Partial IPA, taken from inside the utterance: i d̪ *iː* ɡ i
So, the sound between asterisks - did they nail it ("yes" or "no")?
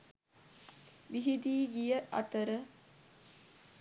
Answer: yes